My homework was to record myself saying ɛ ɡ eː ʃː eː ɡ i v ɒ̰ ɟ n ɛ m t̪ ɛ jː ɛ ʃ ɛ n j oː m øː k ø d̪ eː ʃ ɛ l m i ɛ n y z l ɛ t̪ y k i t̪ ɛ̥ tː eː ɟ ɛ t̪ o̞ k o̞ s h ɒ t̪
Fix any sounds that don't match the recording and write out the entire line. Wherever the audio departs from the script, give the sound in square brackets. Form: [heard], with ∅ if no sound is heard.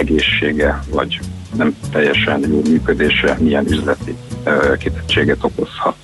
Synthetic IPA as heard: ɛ ɡ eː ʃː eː ɡ [ɛ] v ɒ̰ ɟ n ɛ m t̪ ɛ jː ɛ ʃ ɛ n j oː m [yː] k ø d̪ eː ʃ ɛ [∅] m i ɛ n y z l ɛ t̪ [i] k i t̪ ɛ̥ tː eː [ɡ] ɛ t̪ o̞ k o̞ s h ɒ t̪